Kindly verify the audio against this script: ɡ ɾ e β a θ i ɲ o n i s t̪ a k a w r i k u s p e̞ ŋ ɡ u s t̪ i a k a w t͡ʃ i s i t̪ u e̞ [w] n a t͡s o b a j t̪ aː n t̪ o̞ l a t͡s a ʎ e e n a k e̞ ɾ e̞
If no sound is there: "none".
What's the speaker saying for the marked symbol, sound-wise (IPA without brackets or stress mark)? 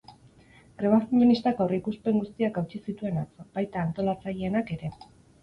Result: none